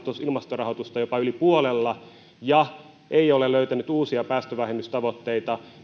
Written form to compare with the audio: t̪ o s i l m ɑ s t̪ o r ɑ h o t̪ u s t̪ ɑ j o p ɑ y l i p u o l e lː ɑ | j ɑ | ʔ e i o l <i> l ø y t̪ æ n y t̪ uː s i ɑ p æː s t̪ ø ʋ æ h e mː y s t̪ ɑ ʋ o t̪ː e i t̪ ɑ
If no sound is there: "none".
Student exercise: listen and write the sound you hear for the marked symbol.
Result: e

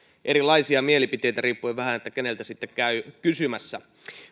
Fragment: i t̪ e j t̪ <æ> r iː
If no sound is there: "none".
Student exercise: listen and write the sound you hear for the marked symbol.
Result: æ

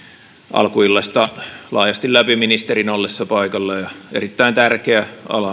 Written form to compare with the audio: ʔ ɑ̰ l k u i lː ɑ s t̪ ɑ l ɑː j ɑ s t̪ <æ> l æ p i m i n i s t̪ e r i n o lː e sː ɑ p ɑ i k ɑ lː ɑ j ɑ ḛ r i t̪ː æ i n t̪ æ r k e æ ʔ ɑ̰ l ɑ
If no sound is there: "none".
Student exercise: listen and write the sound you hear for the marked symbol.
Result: i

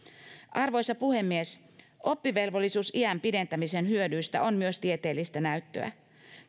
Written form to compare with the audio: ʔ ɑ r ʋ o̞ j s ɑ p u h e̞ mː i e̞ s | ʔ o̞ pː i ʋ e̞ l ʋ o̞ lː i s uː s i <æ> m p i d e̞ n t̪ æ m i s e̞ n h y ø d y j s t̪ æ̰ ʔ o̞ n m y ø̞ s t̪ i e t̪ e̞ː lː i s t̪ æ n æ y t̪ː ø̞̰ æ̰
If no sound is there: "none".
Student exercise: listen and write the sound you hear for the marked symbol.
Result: æ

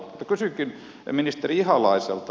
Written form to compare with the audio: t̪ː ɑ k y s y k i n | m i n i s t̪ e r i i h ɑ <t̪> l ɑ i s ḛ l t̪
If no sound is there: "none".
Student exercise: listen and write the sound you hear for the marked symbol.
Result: none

